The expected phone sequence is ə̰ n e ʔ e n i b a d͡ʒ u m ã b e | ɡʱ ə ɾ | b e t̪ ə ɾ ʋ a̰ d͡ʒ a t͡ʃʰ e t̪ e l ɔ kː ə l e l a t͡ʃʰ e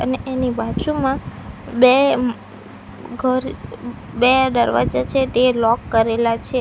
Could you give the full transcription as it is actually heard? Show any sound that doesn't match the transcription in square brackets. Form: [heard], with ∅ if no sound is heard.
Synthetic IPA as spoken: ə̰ n e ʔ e n i b a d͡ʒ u m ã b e | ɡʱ ə ɾ | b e [d̪] ə ɾ ʋ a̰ d͡ʒ a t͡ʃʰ e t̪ e l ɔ kː ə [ɾ] e l a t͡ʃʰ e